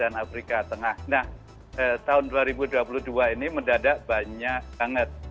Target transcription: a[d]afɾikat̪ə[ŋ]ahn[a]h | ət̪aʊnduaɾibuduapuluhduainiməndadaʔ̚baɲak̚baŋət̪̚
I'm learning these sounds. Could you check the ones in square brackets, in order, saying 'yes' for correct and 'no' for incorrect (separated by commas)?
no, yes, yes